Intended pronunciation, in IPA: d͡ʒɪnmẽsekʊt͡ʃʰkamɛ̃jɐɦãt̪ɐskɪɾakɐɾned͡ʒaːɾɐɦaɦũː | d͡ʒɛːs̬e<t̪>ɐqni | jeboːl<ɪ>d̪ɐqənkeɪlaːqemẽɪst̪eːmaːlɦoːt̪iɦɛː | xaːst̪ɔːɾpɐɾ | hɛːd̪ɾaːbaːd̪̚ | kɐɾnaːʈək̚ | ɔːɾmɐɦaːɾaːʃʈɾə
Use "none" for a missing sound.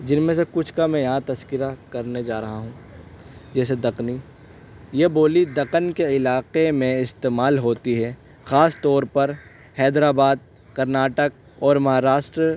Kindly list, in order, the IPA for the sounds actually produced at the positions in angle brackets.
d̪, i

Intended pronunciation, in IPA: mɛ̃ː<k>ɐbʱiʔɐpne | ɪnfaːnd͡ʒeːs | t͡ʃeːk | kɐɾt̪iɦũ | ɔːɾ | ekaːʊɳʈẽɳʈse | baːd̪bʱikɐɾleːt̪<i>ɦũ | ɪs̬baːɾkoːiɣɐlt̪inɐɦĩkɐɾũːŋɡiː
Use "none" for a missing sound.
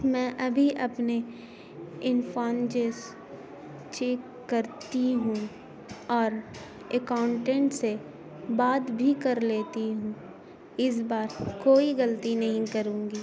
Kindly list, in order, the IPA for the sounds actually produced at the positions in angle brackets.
ʔ, i

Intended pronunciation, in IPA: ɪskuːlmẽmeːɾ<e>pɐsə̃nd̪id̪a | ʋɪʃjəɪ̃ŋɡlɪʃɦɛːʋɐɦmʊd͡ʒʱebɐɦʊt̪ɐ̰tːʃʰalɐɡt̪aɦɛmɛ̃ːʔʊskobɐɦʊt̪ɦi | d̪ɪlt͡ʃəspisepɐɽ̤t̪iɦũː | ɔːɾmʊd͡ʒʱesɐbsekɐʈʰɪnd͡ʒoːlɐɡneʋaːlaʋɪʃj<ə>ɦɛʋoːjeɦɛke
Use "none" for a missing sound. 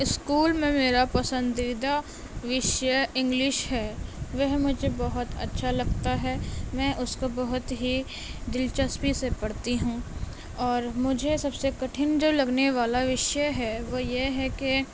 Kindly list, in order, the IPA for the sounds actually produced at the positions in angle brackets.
a, ə

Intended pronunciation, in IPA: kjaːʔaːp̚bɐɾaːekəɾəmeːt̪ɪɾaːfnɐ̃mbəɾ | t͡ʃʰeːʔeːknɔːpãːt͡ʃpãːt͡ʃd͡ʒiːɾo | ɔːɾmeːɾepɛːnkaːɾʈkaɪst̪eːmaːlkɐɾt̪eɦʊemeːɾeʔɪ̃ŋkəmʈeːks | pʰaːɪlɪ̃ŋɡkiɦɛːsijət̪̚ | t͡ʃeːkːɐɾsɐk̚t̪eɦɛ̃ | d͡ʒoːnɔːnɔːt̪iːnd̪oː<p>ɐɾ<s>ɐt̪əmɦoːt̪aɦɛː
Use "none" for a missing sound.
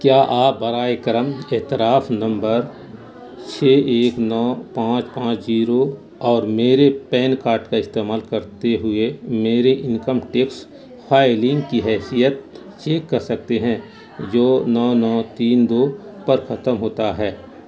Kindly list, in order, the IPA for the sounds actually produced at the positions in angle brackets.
p, x

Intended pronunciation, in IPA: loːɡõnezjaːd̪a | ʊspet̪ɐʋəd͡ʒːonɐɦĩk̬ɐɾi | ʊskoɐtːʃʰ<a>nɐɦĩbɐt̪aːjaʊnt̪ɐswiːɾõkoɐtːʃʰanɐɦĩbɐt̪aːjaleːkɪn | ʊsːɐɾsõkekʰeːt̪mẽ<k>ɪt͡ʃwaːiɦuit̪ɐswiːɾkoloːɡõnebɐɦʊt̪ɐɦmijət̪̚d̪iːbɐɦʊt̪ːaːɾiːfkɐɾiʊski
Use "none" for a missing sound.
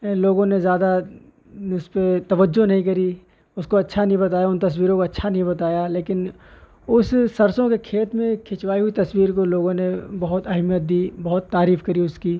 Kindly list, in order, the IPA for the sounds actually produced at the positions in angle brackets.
a, kʰ

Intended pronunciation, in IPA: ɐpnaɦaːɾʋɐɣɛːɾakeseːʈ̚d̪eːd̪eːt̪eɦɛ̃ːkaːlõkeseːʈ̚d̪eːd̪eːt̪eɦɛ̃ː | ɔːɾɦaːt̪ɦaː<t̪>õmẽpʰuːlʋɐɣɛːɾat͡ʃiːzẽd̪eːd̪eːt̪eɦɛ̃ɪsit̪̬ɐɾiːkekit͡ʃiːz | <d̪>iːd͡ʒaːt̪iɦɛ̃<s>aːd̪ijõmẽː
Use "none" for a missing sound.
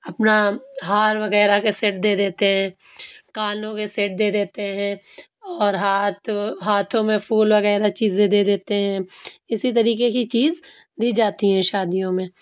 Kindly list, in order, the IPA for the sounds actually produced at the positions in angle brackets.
t̪ʰ, d̪, ʃ

